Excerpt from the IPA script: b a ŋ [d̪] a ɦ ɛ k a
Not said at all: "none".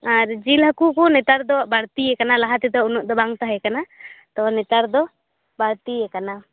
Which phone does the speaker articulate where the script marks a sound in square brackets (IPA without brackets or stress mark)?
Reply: t̪